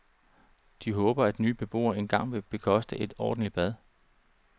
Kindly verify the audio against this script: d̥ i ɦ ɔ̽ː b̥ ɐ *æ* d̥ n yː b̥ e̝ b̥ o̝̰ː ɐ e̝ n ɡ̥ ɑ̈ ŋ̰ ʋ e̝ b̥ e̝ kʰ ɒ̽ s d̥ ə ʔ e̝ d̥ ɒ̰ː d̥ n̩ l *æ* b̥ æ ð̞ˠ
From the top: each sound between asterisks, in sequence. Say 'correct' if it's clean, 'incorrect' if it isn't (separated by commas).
correct, incorrect